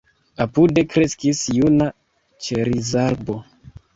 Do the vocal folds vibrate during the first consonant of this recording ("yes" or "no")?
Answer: no